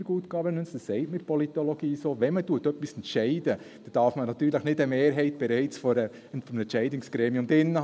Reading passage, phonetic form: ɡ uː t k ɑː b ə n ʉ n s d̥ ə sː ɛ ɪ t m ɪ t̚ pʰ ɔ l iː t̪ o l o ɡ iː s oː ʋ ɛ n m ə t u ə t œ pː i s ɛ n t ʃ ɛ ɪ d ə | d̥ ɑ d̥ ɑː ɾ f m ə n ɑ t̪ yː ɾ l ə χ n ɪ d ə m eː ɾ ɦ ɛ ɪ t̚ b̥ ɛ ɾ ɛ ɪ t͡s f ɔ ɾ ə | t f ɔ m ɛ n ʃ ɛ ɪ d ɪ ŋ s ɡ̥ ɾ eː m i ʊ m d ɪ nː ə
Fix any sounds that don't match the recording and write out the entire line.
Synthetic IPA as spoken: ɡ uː t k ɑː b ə n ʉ n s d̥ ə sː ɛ ɪ t m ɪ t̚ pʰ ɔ l i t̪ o l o ɡ iː s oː ʋ ɛ n m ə t u ə t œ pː i s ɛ n t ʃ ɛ ɪ d ə | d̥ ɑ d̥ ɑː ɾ f m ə n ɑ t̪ yː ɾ l ə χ n ɪ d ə m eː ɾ ɦ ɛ ɪ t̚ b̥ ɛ ɾ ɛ ɪ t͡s f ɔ ɾ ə | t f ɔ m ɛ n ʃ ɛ ɪ d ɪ ŋ s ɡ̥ ɾ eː m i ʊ m d ɪ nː ə